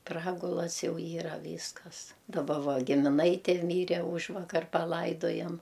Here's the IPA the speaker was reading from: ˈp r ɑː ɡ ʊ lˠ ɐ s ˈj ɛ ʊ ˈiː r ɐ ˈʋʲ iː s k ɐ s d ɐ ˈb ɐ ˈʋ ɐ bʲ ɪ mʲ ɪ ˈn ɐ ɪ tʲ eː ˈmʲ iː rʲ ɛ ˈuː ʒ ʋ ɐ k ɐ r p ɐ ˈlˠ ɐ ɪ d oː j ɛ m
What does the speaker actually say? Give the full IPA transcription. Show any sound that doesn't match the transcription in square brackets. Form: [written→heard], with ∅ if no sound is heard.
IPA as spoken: ˈp r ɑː ɡ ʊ lˠ ɐ s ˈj ɛ ʊ ˈiː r ɐ ˈʋʲ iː s k ɐ s d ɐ ˈb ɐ ˈʋ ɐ [bʲ→ɡʲ] ɪ mʲ ɪ ˈn ɐ ɪ tʲ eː ˈmʲ iː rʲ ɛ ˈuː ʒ ʋ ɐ k ɐ r p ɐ ˈlˠ ɐ ɪ d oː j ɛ m